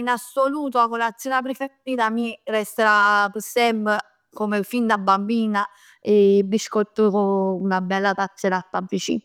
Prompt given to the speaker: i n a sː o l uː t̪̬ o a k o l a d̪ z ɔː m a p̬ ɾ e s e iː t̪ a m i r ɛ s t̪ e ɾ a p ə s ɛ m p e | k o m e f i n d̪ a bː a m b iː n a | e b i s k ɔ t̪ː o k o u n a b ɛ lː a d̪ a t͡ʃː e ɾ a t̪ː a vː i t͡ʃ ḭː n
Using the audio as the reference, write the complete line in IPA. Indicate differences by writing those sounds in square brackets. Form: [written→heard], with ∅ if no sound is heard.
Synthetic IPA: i n a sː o l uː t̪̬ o a k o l a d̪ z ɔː [m→n] a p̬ ɾ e [s→f] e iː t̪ a m i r ɛ s t̪ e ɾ a p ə s ɛ m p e | k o m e f i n d̪ a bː a m b iː n a | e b i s k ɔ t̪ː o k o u n a b ɛ lː a [d̪→t̪] a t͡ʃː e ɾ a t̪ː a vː i t͡ʃ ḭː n

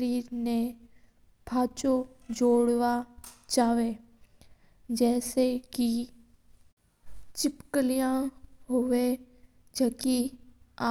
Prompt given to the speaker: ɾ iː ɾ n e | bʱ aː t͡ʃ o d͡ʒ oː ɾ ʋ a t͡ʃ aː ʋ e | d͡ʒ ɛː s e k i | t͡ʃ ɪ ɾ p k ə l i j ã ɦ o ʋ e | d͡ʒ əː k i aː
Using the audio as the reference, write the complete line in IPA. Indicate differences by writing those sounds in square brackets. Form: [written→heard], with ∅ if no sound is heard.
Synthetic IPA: ɾ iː ɾ n e | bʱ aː t͡ʃ o d͡ʒ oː [ɾ→ɽ] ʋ a t͡ʃ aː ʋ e | d͡ʒ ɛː s e k i | t͡ʃ ɪ [ɾ→∅] p k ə l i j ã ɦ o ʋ e | d͡ʒ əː k i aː

